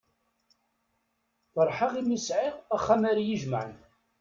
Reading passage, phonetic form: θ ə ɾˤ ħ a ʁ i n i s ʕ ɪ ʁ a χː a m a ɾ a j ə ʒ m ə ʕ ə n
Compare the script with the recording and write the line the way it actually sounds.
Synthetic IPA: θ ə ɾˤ ħ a ʁ i m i s ʕ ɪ ʁ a χː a m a ɾ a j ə ʒ m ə ʕ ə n